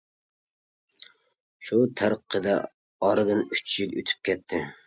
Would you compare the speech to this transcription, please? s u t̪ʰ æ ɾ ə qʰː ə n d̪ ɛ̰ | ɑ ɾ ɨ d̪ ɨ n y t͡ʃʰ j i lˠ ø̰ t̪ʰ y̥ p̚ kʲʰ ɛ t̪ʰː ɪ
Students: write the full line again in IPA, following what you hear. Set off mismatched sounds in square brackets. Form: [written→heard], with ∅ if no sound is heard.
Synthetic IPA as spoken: [s→ʃ] u t̪ʰ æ ɾ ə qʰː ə [n→∅] d̪ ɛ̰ | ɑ ɾ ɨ d̪ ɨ n y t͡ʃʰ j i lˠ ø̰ t̪ʰ y̥ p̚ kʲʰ ɛ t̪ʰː ɪ